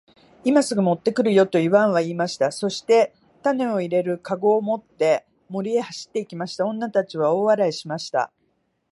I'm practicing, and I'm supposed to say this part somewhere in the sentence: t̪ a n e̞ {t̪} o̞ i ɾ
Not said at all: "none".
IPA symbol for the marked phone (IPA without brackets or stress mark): none